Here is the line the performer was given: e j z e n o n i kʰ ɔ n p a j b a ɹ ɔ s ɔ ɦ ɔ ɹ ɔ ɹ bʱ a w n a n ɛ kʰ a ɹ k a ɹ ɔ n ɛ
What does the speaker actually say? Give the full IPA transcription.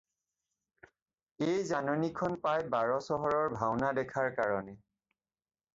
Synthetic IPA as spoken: e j z a n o n i kʰ ɔ n p a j b a ɹ ɔ s ɔ ɦ ɔ ɹ ɔ ɹ bʱ a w n a d ɛ kʰ a ɹ k a ɹ ɔ n ɛ